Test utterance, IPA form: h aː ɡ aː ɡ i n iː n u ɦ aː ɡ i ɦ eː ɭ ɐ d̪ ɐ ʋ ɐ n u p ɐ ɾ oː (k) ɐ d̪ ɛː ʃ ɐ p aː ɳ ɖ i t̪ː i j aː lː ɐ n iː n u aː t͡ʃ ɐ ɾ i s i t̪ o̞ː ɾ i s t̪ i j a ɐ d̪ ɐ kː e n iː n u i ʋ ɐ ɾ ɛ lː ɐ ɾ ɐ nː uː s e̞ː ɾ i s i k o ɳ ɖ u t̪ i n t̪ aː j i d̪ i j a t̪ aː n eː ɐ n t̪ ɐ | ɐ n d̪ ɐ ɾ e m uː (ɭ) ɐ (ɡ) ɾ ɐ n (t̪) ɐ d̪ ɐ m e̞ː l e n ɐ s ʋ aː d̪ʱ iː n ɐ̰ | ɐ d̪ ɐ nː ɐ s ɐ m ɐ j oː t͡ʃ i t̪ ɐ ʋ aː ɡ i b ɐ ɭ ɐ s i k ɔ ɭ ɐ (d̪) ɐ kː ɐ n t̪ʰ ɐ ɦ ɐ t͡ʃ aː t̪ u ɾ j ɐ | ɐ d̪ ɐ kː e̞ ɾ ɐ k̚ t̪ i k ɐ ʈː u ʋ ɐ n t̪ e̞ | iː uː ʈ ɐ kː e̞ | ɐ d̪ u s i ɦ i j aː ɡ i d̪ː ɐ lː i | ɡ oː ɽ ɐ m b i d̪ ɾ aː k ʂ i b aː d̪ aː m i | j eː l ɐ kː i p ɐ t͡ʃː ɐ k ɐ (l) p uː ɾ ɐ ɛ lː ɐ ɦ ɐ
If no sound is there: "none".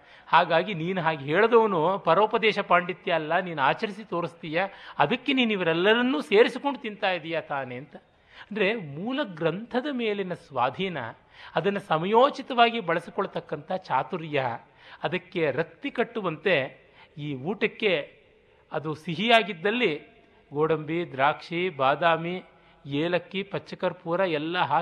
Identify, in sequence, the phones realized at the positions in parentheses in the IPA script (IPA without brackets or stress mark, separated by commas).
p, l, ɡ, t̪ʰ, t̪, ɾ